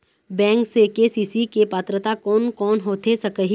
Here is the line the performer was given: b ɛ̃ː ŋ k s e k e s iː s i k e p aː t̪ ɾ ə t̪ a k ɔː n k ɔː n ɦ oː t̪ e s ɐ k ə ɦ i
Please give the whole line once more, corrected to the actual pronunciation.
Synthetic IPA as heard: b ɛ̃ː ŋ k s e k e s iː s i k e p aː t̪ ɾ ə t̪ a k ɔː n k ɔː n ɦ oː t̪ e s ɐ k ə ɦ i